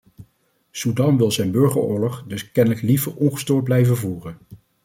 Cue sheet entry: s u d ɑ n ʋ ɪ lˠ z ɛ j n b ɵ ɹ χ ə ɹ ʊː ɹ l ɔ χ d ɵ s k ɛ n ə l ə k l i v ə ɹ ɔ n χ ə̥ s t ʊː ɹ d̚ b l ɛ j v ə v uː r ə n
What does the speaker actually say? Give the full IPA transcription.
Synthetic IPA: s u d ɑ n ʋ ɪ lˠ z ɛ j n b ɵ ɹ χ ə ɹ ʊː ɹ l ɔ χ d ɵ s k ɛ n ə l ə k l i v ə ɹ ɔ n χ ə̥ s t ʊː ɹ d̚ b l ɛ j v ə v uː r ə n